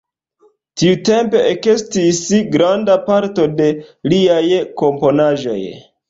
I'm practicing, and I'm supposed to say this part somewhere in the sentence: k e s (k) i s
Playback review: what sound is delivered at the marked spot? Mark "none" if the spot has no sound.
t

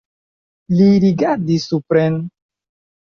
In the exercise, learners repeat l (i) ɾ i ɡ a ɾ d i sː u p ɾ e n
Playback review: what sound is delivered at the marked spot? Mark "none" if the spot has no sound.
i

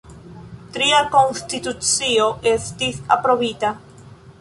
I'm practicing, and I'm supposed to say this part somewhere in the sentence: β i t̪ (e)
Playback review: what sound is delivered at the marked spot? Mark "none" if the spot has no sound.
a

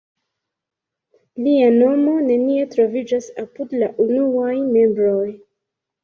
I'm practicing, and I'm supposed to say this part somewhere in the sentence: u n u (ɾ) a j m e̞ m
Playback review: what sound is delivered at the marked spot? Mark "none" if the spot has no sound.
none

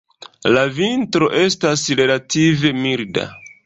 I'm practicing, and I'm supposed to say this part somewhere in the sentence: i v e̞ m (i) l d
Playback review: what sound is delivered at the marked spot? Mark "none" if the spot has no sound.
i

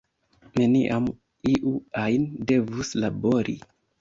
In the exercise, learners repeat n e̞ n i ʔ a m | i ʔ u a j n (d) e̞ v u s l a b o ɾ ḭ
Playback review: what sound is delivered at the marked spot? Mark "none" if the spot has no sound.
d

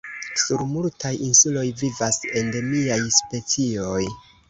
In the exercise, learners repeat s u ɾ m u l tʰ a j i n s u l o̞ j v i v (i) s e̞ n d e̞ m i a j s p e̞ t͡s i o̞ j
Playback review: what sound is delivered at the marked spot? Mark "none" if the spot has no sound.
a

